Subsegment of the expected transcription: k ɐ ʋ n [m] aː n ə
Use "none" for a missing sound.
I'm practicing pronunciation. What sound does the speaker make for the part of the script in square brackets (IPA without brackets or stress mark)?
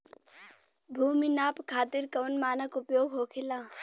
m